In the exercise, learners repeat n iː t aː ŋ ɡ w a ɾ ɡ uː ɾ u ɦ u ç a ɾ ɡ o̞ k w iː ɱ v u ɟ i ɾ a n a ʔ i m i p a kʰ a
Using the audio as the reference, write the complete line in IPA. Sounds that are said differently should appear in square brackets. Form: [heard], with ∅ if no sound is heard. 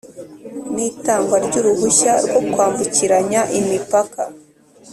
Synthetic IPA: n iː t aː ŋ ɡ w a ɾ [ɟ] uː ɾ u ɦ u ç a ɾ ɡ o̞ k w [aː] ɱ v u [c] i ɾ a [ɲ] a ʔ i m i p a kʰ a